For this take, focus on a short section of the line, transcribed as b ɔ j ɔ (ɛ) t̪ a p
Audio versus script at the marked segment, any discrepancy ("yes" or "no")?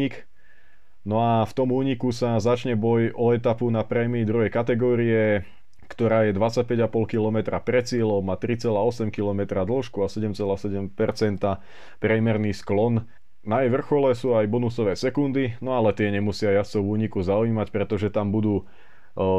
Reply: no